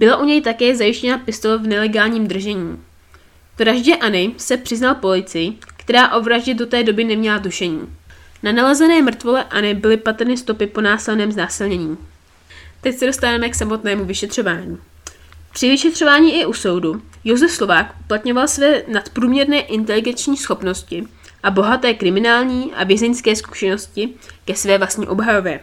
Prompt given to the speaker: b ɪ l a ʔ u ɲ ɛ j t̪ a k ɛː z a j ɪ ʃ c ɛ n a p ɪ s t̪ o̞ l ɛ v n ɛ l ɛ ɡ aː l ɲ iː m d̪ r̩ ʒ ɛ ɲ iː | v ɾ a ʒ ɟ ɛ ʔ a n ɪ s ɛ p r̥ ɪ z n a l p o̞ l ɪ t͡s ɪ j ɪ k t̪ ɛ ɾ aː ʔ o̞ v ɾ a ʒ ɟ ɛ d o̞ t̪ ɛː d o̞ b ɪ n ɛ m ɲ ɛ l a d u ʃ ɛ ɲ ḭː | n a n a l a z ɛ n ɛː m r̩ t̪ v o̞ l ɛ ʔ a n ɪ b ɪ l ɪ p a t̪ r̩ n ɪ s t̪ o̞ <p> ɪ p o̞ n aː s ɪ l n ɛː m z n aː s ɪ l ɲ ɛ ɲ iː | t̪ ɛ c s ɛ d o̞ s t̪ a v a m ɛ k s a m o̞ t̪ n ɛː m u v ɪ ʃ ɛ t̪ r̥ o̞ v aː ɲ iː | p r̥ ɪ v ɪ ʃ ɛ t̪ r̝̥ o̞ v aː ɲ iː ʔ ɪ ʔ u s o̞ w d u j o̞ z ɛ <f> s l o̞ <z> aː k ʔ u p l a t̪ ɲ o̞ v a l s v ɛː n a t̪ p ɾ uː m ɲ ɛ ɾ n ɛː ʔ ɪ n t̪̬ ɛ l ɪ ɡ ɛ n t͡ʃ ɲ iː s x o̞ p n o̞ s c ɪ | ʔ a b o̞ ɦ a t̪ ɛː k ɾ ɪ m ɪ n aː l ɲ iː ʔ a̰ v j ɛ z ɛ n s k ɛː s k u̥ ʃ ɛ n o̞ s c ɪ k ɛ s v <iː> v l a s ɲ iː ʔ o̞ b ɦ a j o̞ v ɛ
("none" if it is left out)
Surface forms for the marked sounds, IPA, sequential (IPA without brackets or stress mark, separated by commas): p, f, v, ɛː